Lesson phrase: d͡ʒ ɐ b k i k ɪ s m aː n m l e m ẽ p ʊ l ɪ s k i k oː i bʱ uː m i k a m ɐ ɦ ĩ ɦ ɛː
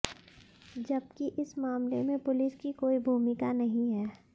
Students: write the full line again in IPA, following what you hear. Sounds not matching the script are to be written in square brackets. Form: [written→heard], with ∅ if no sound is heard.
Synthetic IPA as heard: d͡ʒ ɐ b k i [k→ʔ] ɪ s m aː [n→∅] m l e m ẽ p ʊ l ɪ s k i k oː i bʱ uː m [i→ɪ] k a [m→n] ɐ ɦ ĩ ɦ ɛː